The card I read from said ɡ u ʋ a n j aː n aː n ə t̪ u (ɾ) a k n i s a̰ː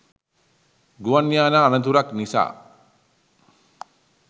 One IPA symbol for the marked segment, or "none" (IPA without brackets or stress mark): ɾ